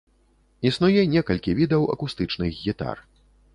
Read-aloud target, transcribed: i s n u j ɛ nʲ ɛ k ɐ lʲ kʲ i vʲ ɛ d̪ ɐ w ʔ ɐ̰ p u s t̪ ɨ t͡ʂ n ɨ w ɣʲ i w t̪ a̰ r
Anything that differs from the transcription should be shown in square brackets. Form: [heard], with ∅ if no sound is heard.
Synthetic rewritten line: i s n u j ɛ nʲ ɛ k ɐ lʲ kʲ i vʲ [i] d̪ ɐ w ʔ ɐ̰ [k] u s t̪ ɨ t͡ʂ n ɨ [ɣ] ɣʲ i [∅] t̪ a̰ r